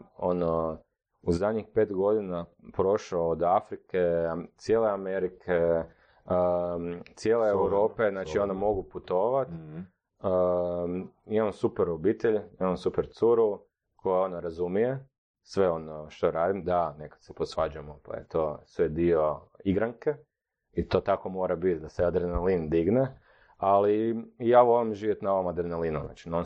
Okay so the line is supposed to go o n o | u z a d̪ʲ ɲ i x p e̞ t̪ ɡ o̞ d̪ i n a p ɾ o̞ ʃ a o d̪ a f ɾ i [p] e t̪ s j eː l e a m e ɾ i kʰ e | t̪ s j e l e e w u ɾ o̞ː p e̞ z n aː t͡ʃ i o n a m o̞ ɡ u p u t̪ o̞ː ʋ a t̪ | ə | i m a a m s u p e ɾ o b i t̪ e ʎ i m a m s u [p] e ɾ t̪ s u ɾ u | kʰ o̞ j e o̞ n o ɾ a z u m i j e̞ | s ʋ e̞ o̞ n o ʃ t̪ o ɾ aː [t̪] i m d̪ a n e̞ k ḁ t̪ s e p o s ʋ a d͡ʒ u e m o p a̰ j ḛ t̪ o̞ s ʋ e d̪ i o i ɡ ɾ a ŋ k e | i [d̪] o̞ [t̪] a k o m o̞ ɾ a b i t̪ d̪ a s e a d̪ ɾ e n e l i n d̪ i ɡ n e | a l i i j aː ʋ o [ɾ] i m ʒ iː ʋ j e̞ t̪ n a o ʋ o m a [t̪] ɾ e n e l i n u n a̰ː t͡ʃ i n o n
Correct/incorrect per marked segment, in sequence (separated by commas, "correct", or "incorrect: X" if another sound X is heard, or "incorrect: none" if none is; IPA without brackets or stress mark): incorrect: k, correct, incorrect: d̪, incorrect: t̪, correct, incorrect: l, incorrect: d̪